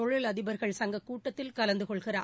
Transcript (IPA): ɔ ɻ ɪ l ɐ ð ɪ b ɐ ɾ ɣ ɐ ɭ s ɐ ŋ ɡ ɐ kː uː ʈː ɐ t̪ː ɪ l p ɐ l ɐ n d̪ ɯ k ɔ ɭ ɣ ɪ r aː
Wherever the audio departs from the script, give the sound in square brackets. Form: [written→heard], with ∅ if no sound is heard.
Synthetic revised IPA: ɔ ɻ ɪ l ɐ ð ɪ b ɐ ɾ ɣ ɐ ɭ s ɐ ŋ ɡ ɐ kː uː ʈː ɐ t̪ː ɪ l [p→k] ɐ l ɐ n d̪ ɯ k ɔ ɭ ɣ ɪ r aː